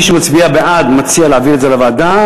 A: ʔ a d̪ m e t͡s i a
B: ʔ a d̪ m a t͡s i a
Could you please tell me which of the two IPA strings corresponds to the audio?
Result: B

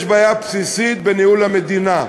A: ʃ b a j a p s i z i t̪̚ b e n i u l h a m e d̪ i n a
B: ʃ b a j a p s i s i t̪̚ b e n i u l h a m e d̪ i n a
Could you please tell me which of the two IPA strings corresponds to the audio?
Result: B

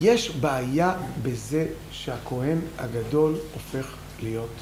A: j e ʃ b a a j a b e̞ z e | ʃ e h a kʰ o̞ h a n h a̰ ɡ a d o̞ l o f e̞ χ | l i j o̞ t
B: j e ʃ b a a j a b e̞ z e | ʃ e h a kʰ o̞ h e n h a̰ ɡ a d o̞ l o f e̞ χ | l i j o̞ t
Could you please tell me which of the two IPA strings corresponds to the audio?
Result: B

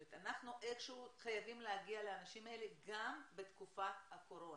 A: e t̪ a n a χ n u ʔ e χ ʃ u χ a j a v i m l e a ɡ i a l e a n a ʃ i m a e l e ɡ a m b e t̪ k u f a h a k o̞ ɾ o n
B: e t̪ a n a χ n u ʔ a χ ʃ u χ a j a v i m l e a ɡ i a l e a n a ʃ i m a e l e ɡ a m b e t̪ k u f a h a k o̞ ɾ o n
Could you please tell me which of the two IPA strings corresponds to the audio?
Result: A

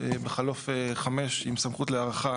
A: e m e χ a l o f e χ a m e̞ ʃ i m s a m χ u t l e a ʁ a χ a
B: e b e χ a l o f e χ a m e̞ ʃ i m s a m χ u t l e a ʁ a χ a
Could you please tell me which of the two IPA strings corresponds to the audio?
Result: B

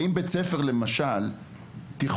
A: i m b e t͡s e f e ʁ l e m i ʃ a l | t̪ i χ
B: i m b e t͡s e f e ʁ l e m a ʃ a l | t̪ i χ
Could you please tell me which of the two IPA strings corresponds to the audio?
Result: B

